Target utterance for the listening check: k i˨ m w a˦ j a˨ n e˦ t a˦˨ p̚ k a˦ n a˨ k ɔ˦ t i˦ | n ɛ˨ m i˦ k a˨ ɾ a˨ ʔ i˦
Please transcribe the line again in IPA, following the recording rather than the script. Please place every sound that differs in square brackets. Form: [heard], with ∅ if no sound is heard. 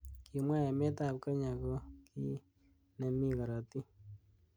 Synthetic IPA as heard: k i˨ m w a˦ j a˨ [m] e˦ t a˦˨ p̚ k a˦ [ɲ] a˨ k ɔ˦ [k] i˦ | n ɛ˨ m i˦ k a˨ ɾ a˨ [t] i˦